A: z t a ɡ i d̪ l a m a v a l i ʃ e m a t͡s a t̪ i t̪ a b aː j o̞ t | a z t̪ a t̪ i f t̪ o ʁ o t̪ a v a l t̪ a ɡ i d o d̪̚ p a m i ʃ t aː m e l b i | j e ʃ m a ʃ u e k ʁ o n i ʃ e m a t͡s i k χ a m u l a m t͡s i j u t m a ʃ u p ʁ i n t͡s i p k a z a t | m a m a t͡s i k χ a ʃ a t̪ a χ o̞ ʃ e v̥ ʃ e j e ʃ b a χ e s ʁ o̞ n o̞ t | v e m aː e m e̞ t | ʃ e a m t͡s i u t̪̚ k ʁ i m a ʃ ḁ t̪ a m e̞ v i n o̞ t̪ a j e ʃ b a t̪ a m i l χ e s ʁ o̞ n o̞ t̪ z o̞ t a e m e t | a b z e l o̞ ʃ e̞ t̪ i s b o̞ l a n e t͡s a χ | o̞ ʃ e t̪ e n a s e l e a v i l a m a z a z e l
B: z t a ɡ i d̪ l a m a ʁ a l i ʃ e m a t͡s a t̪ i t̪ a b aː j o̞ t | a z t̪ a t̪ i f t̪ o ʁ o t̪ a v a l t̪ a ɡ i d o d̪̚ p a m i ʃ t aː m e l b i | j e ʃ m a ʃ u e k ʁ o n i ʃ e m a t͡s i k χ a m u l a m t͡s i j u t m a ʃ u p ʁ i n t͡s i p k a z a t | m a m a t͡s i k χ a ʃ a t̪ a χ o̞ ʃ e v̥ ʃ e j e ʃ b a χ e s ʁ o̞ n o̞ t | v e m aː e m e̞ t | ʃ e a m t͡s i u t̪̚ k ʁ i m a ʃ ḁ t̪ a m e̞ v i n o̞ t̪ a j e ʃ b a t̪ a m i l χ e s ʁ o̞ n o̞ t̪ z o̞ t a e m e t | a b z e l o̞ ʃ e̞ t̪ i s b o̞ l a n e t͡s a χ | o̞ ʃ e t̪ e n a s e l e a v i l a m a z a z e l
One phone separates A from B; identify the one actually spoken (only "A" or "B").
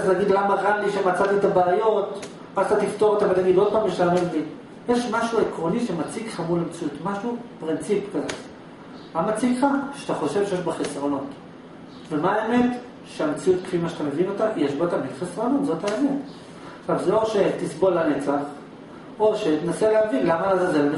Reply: B